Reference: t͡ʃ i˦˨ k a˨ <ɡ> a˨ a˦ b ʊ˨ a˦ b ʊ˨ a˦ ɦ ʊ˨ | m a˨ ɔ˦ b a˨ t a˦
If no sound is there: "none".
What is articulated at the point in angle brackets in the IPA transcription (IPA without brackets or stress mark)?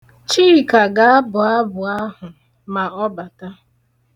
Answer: ɡ